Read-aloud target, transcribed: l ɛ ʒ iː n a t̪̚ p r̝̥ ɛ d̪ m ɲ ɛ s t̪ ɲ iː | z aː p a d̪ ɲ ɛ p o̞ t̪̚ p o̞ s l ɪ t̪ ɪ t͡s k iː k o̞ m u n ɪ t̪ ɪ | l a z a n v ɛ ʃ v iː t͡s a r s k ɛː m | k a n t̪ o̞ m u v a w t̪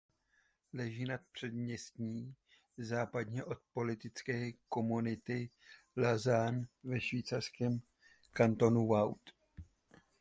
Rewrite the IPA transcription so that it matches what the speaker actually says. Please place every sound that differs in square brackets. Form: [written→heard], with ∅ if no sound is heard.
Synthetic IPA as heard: l ɛ ʒ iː n a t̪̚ p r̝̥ ɛ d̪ m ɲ ɛ s t̪ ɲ iː | z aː p a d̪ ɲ ɛ [p→ʔ] o̞ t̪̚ p o̞ [s→∅] l ɪ t̪ ɪ t͡s k [iː→ɛː] k o̞ m u n ɪ t̪ ɪ | l a z a n v ɛ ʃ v iː t͡s a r s k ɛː m | k a n t̪ o̞ [m→n] u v a w t̪